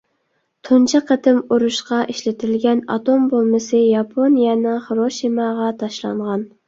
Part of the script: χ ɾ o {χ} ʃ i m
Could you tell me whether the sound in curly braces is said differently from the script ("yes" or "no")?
yes